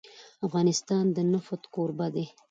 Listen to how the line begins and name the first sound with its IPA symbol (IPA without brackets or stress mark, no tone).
a